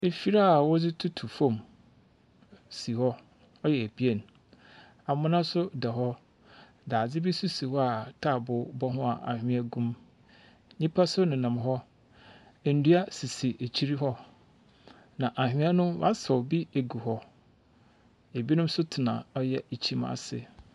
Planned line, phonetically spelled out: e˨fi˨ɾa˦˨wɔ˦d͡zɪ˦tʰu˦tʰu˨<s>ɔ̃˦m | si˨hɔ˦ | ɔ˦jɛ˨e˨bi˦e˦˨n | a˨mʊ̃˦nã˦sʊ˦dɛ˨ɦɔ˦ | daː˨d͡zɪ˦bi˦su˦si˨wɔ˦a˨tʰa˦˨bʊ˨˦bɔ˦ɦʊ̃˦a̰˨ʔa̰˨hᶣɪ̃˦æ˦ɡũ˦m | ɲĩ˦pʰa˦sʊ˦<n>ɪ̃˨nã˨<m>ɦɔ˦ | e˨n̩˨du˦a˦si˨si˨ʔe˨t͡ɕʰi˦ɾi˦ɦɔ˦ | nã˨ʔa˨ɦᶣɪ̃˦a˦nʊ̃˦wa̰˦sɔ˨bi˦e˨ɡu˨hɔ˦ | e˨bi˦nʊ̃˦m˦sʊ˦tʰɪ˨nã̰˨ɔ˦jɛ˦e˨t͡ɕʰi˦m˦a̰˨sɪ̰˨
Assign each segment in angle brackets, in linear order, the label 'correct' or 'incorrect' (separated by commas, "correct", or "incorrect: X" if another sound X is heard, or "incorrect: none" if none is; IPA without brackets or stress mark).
incorrect: f, correct, correct